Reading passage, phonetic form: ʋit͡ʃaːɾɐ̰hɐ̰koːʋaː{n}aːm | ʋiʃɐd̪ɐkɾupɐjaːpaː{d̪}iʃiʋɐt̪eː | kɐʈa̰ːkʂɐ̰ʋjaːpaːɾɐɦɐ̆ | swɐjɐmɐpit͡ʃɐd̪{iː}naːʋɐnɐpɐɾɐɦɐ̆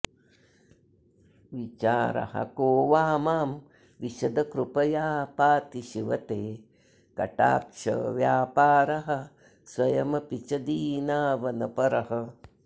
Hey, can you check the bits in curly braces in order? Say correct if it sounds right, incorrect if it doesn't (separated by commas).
incorrect, incorrect, correct